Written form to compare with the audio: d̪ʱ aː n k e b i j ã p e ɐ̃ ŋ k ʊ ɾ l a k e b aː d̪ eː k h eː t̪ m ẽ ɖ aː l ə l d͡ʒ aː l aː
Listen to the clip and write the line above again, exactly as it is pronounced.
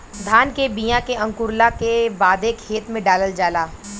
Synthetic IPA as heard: d̪ʱ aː n k e b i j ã k e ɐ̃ ŋ k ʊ ɾ l a k e b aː d̪ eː k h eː t̪ m ẽ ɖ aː l ə l d͡ʒ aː l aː